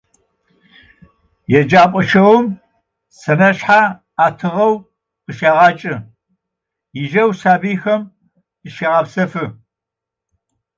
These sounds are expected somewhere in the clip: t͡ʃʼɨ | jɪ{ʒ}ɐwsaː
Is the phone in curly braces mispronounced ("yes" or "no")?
no